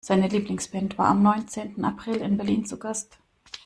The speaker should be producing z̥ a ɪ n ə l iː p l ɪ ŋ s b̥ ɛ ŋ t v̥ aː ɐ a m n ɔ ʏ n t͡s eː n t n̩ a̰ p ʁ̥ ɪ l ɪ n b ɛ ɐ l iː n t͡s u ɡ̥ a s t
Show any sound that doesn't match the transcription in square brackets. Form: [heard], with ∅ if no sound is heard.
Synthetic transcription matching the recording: z̥ a ɪ n ə l iː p l ɪ ŋ s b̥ ɛ [n] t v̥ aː ɐ a m n ɔ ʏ n t͡s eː n t n̩ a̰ p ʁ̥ ɪ l ɪ n b ɛ ɐ l iː n t͡s u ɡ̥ a s t